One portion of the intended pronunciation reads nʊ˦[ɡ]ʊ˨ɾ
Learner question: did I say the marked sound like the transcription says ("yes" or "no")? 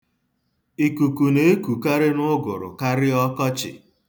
yes